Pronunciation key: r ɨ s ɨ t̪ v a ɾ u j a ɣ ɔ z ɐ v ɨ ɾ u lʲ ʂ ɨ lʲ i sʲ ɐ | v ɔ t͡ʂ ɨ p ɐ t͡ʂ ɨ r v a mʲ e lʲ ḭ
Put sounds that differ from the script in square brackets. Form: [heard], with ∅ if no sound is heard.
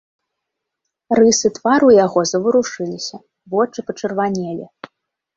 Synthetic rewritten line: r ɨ s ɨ t̪ v a ɾ u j a ɣ ɔ z ɐ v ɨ ɾ u [∅] ʂ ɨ lʲ i sʲ ɐ | v ɔ t͡ʂ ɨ p ɐ t͡ʂ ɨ r v a [nʲ] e lʲ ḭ